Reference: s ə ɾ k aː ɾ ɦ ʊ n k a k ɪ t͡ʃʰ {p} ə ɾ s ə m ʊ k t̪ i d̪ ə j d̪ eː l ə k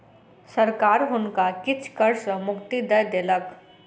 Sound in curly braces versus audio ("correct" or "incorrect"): incorrect